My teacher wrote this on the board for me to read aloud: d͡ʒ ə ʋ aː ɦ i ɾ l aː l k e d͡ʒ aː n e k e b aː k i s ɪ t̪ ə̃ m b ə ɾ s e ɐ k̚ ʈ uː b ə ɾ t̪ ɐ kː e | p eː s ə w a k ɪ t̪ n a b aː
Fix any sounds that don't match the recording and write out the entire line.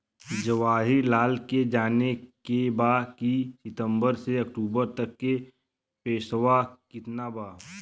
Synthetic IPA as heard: d͡ʒ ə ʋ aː ɦ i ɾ l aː l k e d͡ʒ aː n e k e b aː k i s ɪ t̪ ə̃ m b ə ɾ s e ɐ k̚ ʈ uː b ə ɾ t̪ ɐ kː e | p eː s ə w a k ɪ t̪ n a b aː